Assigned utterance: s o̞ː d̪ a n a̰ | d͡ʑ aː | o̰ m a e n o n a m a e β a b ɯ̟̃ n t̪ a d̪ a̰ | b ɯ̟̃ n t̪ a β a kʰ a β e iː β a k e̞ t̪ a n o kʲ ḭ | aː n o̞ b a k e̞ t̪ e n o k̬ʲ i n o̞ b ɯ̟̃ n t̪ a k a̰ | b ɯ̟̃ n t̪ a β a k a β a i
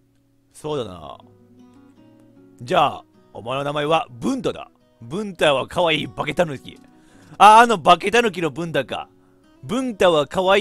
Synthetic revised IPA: s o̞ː d̪ a n a̰ | d͡ʑ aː | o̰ m a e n o n a m a e β a b ɯ̟̃ n t̪ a d̪ a̰ | b ɯ̟̃ n t̪ a β a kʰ a β a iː b a k e̞ t̪ a n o kʲ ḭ | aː n o̞ b a k e̞ t̪ a n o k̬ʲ i n o̞ b ɯ̟̃ n t̪ a k a̰ | b ɯ̟̃ n t̪ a β a k a β a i